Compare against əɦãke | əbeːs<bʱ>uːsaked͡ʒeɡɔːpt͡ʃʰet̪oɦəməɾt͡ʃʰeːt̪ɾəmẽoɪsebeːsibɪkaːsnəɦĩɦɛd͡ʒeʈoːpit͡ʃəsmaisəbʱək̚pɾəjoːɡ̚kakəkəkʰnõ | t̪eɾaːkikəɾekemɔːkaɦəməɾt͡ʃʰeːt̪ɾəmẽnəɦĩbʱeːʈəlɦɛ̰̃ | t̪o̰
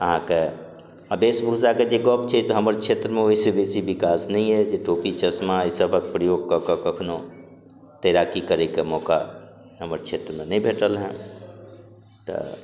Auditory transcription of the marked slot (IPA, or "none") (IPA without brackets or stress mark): bʱ